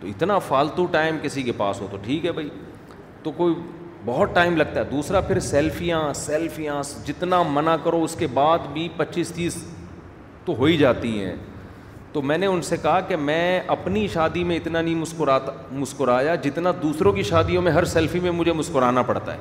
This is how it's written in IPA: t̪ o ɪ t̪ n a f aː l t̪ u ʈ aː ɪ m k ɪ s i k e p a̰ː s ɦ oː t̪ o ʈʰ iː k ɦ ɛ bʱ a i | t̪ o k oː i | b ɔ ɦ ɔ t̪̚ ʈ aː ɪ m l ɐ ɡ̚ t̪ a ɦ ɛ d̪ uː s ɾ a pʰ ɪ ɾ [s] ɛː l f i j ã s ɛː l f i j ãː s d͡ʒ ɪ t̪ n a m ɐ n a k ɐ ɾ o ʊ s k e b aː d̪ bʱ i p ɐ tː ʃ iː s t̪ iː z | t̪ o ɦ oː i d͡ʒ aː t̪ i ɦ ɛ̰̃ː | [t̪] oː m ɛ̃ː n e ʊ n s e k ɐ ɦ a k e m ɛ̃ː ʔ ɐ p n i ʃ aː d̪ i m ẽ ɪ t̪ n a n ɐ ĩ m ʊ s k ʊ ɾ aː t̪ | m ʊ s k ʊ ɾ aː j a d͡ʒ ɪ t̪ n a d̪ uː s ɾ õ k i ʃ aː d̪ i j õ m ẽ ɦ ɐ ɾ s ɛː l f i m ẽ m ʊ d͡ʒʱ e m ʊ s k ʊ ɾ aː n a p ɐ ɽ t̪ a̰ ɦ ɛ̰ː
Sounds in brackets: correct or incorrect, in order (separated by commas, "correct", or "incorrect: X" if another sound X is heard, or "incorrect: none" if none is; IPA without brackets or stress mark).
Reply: correct, correct